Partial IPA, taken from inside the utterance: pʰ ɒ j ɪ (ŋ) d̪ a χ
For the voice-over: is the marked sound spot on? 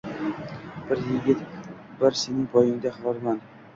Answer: yes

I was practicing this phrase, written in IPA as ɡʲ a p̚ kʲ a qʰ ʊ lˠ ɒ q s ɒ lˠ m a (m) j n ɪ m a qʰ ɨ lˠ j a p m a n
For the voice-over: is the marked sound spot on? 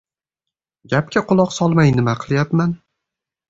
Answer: no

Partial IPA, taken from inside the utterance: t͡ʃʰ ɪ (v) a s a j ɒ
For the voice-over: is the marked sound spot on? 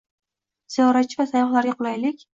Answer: yes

